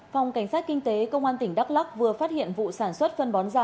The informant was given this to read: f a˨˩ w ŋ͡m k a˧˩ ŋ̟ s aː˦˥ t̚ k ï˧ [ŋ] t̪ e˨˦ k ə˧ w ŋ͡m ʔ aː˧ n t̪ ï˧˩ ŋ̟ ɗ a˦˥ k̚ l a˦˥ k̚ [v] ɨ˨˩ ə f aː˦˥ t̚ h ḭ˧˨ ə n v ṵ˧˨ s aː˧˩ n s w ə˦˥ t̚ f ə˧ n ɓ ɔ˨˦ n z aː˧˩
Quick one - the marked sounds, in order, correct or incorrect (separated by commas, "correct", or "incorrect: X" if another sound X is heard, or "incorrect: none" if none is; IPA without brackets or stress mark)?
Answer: correct, correct